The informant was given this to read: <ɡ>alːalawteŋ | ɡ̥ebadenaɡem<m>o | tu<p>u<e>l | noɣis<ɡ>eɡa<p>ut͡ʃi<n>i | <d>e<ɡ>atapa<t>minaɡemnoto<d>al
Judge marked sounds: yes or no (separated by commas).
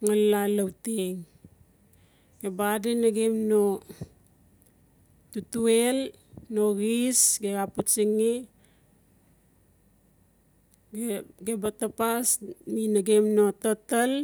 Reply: no, no, no, yes, yes, yes, no, no, no, no, no